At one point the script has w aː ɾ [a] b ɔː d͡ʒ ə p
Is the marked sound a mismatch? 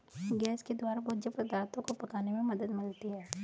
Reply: no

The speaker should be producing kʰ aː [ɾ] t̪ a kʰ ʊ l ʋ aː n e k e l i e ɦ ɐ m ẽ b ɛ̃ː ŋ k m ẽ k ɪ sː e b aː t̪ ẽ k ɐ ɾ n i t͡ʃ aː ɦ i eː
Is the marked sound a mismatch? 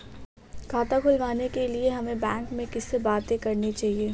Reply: yes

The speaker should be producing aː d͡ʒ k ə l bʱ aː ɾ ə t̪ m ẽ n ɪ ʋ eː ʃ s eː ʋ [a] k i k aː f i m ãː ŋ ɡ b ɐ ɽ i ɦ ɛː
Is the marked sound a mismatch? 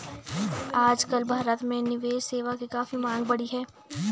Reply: no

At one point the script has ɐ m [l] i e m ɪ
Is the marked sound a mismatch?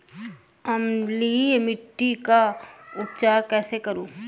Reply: no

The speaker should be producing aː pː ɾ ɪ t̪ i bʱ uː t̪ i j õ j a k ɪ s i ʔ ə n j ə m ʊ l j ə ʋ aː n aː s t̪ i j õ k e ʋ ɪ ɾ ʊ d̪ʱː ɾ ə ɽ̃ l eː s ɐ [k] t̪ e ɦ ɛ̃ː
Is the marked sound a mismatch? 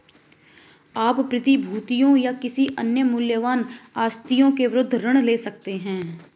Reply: no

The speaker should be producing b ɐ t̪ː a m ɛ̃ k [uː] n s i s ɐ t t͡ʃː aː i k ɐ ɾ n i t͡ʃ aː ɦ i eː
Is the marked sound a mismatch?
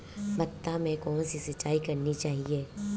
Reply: yes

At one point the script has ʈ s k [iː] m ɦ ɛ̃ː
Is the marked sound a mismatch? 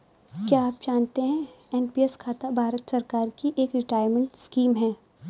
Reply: no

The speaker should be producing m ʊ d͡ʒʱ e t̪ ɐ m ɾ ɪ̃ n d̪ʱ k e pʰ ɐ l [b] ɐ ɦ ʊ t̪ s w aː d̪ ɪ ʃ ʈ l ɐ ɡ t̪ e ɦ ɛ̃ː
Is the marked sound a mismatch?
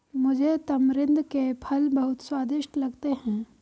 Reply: no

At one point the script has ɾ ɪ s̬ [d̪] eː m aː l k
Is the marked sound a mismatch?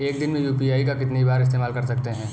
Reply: yes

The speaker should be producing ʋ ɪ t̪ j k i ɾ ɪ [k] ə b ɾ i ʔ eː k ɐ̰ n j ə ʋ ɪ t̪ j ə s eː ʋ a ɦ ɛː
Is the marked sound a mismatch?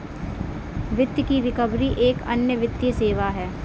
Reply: no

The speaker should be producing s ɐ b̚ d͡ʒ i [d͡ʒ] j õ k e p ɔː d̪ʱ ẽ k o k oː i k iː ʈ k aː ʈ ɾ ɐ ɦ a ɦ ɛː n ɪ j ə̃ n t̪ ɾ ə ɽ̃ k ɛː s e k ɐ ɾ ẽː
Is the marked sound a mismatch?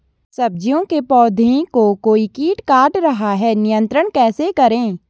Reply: yes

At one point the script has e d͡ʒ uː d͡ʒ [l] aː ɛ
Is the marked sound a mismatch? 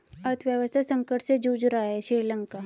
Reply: yes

